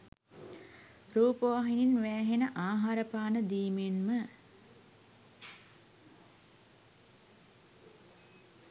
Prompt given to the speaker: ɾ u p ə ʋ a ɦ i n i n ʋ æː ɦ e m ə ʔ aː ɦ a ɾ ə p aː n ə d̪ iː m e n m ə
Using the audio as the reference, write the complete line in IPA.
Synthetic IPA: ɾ uː p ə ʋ a ɦ i n i n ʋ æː ɦ e n ə ʔ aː ɦ a ɾ ə p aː n ə d̪ iː m e n m ə

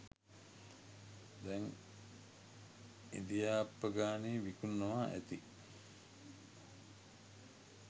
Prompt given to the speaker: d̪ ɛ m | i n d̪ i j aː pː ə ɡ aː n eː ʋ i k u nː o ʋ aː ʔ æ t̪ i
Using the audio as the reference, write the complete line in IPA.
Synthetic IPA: d̪ ɛ ŋ | i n d̪ i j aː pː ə ɡ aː n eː ʋ i k u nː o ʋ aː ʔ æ t̪ i

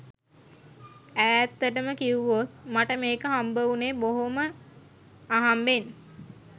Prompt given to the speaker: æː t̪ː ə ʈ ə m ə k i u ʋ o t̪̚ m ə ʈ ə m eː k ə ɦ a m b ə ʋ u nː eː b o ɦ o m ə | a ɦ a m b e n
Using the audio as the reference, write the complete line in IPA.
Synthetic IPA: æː t̪ː ə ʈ ə m ə k i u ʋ o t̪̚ m a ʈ ə m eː k ə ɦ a m b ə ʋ u n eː b o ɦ o m ə | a ɦ a m b e n

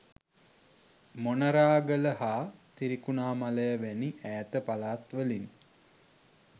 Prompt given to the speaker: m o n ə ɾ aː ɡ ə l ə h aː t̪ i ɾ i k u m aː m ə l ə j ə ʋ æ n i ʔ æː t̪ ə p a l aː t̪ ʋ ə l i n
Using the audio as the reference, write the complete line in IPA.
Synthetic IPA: m o n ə ɾ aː ɡ ə l ə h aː t̪ i ɾ i k u n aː m a l ə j ə ʋ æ n i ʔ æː t̪ ə p a l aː t̪ ʋ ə l i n

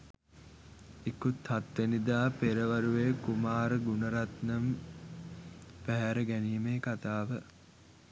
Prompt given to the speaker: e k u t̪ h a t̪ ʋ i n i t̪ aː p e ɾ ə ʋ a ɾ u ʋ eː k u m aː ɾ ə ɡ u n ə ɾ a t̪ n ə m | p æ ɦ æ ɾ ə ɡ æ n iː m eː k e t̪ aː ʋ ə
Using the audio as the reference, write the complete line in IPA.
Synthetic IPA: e k u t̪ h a t̪ ʋ e n i d̪ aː p e ɾ ə ʋ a ɾ u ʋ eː k u m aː ɾ ə ɡ u n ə ɾ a t̪ n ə m | p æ ɦ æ ɾ ə ɡ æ n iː m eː k a t̪ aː ʋ ə

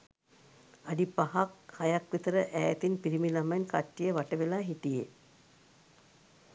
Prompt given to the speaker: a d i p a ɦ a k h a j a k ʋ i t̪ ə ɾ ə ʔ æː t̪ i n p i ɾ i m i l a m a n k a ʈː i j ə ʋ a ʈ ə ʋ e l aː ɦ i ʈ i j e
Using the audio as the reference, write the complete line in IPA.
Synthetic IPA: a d i p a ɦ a k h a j a k ʋ i t̪ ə ɾ ə ʔ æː t̪ i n p i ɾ i m i l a m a n k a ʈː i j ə ʋ a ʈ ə ʋ e l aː ɦ i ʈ i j e

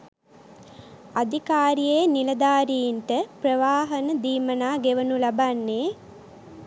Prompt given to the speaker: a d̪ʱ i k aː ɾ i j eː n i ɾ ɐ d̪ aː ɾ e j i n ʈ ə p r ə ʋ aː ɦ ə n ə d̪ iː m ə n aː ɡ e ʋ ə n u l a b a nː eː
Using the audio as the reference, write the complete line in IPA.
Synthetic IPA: a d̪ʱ i k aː ɾ i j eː n i l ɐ d̪ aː ɾ i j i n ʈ ə p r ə ʋ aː ɦ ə n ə d̪ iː m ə n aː ɡ e ʋ ə n u l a b a nː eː

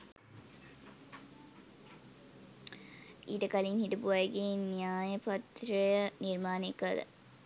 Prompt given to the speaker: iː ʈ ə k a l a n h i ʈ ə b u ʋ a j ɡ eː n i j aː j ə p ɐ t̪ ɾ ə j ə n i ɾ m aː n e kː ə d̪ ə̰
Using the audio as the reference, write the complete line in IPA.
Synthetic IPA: iː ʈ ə k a l i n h i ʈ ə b u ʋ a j ɡ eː n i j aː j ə p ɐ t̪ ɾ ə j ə n i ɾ m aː n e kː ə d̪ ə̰

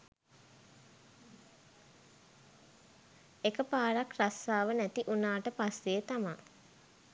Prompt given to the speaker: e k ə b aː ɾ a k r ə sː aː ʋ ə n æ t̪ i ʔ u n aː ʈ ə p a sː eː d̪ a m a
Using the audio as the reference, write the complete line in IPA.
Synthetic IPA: e k ə p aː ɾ a k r a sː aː ʋ ə n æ t̪ i ʔ u n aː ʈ ə p a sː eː t̪ a m a

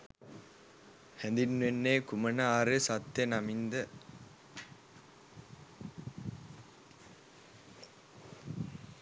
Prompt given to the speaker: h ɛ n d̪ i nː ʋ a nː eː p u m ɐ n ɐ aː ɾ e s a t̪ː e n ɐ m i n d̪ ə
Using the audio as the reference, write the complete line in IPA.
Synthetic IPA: h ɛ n d̪ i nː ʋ e nː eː k u m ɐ n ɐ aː ɾ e s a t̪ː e n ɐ m i n d̪ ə

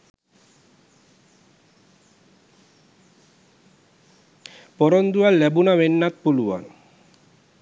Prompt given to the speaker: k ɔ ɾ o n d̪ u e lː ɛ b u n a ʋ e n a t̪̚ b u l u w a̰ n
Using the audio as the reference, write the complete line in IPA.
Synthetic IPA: p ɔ ɾ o n d̪ u a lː ɛ b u n a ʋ e nː a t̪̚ p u l u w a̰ n

